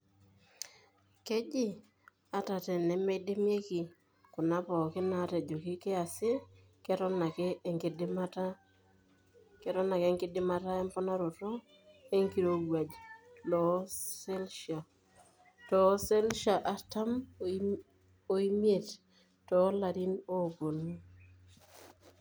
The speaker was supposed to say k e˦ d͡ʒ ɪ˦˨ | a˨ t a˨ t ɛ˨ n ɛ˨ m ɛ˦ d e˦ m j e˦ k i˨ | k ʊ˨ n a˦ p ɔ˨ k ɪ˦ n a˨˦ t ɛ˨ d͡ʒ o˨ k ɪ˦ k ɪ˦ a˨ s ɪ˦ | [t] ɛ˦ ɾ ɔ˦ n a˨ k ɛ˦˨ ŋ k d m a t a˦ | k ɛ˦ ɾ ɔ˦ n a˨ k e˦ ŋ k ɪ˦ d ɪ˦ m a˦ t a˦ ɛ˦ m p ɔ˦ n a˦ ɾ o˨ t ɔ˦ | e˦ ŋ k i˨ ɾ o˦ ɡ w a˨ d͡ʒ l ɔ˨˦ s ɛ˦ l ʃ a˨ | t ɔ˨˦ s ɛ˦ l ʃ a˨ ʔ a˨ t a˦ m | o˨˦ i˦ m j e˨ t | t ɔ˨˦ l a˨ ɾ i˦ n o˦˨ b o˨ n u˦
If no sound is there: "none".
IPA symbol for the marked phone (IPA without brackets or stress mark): k